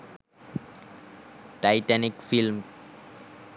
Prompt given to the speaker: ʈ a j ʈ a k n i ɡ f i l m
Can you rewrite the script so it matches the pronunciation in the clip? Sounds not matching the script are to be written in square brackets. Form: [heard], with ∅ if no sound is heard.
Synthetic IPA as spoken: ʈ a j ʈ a [∅] n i [k] f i l m